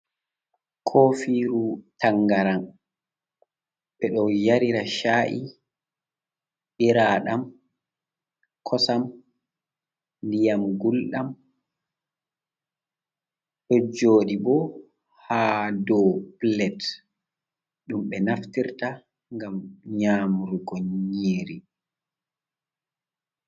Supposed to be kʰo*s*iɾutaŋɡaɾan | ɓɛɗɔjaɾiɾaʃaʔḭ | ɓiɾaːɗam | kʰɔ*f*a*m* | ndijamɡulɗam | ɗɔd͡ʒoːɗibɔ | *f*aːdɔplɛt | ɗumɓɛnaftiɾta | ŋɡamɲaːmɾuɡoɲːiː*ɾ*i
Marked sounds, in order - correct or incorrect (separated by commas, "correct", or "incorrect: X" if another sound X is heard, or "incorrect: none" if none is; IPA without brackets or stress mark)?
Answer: incorrect: f, incorrect: s, correct, incorrect: h, correct